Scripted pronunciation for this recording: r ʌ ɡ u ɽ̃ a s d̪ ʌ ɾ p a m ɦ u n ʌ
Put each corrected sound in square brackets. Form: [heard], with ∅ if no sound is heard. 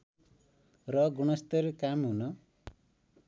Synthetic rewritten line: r ʌ ɡ u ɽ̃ [ʌ] s [t̪] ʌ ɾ [k] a m ɦ u n ʌ

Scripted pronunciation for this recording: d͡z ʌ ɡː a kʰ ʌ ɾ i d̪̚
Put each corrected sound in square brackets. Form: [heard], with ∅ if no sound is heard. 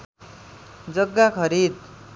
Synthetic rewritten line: d͡z ʌ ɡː a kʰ ʌ ɾ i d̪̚

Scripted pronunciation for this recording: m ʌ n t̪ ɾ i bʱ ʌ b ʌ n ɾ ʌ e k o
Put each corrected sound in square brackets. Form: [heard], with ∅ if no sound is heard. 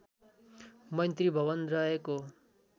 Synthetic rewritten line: m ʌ n t̪ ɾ i bʱ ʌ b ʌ n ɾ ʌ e k o

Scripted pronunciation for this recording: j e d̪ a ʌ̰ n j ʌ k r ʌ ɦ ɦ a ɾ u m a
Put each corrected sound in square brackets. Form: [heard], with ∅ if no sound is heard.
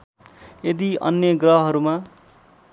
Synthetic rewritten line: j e d̪ [i] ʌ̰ n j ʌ [ɡ] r ʌ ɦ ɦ [ʌ] ɾ u m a

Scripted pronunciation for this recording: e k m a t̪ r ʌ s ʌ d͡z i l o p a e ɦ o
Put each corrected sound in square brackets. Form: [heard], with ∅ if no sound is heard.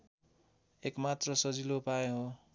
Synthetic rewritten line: e k m a t̪ r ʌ s ʌ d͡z i l o p a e ɦ o

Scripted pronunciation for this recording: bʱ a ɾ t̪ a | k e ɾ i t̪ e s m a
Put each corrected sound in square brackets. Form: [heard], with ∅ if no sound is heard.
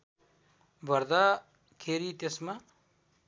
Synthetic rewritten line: bʱ [ʌ] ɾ [d̪] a | [kʰ] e ɾ i t̪ e s m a

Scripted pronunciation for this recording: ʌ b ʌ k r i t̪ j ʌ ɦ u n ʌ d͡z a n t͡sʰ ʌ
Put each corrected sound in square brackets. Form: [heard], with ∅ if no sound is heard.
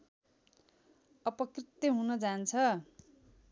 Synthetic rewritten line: ʌ [p] ʌ k r i t̪ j ʌ ɦ u n ʌ d͡z a n t͡sʰ ʌ

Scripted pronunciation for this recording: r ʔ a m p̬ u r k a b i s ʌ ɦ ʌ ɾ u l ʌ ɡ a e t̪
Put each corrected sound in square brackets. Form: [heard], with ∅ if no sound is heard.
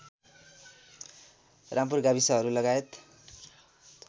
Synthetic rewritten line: r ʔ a m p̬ u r [ɡ] a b i s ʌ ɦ ʌ ɾ u l ʌ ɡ a e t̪

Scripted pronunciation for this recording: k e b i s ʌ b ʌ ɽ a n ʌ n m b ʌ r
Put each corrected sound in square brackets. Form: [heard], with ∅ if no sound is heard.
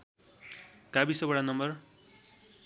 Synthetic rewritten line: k [a] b i s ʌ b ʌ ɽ a n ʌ [∅] m b ʌ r

